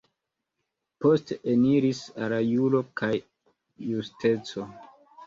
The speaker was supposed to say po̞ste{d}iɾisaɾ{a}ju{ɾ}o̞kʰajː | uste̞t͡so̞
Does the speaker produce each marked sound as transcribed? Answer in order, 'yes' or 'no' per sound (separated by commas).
no, yes, no